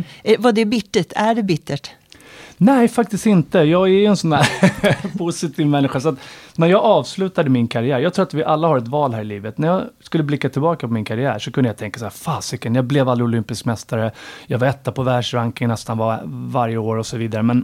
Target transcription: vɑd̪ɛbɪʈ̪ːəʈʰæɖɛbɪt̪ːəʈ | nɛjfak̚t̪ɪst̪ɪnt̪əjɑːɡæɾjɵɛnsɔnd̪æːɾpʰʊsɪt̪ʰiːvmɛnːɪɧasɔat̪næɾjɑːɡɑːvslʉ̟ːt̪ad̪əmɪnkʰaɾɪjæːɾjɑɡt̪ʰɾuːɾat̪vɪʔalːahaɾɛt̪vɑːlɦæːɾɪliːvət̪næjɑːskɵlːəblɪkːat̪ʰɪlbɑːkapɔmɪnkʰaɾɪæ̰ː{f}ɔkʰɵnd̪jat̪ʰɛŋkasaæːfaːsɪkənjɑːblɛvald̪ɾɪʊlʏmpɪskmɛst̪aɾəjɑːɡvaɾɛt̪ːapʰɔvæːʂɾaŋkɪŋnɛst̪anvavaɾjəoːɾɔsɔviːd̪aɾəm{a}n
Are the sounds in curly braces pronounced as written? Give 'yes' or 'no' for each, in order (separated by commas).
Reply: no, no